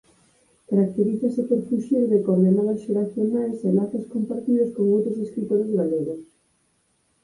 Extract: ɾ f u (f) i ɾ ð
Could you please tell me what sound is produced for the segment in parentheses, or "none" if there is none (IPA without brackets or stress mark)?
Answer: ʃ